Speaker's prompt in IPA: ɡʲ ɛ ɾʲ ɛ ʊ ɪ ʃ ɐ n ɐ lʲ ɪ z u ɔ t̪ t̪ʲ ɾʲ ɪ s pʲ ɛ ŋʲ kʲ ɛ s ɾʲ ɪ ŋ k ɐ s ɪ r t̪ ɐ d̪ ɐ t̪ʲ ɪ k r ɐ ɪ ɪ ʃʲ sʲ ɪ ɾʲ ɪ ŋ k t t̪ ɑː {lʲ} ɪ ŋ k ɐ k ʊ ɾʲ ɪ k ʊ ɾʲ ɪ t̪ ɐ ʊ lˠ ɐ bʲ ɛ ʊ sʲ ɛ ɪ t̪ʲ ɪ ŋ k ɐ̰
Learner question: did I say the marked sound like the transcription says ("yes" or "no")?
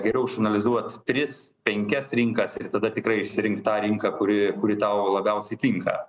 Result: no